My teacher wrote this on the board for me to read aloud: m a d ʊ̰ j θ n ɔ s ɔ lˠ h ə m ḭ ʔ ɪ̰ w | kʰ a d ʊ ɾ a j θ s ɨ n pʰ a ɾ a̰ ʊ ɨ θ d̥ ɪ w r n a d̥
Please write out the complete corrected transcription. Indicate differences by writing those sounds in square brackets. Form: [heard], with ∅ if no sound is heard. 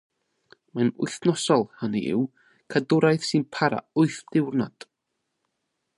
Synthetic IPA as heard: m a [n] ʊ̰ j θ n ɔ s ɔ lˠ h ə [n] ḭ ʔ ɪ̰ w | kʰ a d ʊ ɾ a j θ s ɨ n pʰ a ɾ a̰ ʊ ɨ θ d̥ ɪ w r n a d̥